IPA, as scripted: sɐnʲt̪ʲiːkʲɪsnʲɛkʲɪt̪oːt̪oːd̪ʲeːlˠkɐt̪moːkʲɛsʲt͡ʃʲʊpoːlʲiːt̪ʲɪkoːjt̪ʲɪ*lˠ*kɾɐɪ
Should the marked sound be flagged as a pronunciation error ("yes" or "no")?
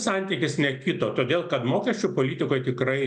yes